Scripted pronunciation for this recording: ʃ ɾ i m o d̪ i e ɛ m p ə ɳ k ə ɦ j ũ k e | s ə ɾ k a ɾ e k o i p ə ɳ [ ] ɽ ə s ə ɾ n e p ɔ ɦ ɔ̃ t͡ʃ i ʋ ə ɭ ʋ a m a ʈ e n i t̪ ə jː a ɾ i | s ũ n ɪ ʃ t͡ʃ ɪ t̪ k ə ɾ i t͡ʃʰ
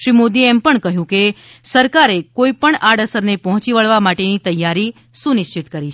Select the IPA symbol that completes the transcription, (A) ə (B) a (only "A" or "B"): B